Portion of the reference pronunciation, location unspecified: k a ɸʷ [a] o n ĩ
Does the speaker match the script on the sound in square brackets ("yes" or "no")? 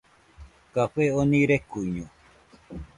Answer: no